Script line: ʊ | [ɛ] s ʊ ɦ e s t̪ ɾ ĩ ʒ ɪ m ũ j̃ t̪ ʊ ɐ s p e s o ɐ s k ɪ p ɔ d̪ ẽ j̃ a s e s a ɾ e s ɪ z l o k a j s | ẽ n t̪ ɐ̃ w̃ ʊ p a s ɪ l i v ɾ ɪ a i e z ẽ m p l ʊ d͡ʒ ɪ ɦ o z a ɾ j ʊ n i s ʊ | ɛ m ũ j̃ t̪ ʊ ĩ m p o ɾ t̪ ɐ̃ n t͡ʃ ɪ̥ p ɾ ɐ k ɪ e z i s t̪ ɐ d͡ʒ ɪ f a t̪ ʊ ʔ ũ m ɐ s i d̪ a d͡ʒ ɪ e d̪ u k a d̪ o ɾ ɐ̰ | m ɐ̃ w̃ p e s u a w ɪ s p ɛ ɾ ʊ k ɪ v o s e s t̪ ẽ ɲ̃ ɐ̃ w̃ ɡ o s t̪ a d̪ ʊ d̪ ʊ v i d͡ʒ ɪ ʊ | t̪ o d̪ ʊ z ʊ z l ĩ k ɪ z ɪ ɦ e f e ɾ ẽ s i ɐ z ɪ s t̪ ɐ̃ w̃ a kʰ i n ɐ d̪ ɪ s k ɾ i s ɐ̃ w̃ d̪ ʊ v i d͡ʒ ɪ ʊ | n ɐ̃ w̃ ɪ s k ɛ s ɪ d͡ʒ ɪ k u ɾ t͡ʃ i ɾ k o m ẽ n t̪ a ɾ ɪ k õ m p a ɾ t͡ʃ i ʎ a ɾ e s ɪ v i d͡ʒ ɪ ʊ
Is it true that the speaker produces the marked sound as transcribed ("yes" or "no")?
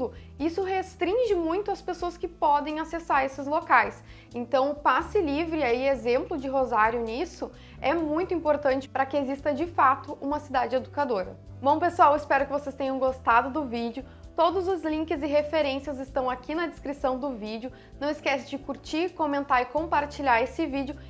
no